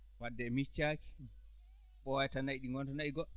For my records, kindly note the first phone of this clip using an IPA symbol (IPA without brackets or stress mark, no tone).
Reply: w